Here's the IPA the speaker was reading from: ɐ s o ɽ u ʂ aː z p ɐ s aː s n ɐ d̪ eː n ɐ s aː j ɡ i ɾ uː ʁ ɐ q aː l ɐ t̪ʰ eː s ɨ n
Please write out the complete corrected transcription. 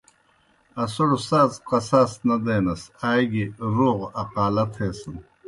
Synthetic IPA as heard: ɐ s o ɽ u s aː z q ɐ s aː s n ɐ d̪ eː n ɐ s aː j ɡ i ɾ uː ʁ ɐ q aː l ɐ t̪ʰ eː s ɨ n